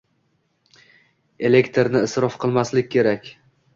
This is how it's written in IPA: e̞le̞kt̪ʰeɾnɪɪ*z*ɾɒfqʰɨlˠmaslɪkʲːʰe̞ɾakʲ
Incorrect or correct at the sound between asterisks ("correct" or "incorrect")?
incorrect